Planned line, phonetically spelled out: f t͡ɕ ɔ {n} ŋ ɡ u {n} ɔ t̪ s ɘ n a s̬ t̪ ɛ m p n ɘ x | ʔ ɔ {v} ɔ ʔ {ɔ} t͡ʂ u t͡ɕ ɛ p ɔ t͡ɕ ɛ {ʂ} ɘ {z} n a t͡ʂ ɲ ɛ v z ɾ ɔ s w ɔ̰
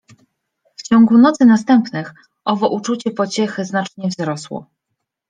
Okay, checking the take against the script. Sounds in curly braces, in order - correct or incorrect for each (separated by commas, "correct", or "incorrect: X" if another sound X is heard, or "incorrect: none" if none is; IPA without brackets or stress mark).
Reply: incorrect: none, correct, correct, incorrect: u, incorrect: x, correct